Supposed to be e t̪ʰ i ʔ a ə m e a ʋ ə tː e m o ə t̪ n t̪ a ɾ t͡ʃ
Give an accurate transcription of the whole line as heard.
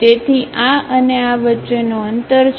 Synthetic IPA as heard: e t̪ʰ i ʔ a ə n e a ʋ ə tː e n o ə n t̪ ə ɾ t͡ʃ